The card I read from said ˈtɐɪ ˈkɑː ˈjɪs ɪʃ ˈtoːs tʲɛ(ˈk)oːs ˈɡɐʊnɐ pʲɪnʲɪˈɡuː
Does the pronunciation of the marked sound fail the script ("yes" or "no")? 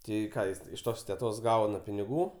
yes